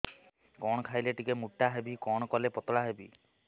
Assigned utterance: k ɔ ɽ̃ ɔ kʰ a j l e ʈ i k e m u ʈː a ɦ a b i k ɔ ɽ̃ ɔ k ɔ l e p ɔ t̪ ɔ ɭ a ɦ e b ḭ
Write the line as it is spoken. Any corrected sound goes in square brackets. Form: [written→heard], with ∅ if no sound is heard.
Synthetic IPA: k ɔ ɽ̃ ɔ kʰ a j l e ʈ i k e m u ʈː a ɦ [a→e] b i k ɔ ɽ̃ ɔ k ɔ l e p ɔ t̪ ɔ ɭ a ɦ e b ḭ